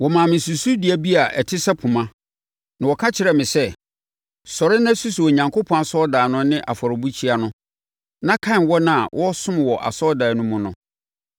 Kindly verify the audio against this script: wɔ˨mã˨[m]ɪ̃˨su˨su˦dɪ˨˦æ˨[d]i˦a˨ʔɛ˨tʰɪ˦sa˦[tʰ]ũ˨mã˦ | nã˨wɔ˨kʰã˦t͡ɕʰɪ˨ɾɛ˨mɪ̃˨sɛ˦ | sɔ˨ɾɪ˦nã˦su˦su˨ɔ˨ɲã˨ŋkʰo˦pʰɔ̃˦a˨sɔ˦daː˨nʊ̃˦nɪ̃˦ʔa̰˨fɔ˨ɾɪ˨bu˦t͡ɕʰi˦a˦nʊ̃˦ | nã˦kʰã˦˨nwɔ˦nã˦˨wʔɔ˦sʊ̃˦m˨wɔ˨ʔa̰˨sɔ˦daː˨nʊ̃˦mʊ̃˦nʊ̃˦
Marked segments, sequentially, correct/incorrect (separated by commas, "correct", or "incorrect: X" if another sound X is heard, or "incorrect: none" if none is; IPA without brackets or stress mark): correct, incorrect: b, incorrect: pʰ